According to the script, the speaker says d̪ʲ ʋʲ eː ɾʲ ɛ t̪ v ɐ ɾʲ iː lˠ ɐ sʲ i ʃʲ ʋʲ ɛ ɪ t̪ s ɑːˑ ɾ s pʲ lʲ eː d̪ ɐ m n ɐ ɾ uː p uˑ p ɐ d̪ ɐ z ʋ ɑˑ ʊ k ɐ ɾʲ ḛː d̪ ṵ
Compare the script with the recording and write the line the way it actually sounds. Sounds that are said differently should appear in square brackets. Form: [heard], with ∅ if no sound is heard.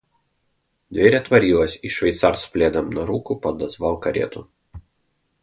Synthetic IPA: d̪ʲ ʋʲ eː ɾʲ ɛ t̪ [ʋ] ɐ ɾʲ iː lˠ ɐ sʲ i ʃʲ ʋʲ ɛ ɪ t̪ s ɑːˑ ɾ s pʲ lʲ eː d̪ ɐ m n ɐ ɾ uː [k] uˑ p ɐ d̪ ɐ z ʋ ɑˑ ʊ k ɐ ɾʲ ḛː [t̪] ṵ